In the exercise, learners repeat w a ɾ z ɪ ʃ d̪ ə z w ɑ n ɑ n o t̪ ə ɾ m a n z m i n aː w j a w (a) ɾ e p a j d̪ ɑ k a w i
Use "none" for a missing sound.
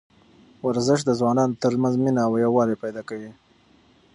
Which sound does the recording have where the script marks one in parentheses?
ɑ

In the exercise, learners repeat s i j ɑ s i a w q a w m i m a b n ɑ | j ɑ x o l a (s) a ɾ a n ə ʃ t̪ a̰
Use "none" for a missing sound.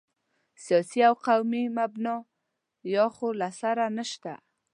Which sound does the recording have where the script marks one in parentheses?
s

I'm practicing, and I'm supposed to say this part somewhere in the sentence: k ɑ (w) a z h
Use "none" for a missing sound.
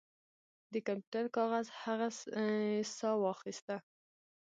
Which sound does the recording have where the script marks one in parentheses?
ɣ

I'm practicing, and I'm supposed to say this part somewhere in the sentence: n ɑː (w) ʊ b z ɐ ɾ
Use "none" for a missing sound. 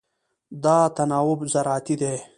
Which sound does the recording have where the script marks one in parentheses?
w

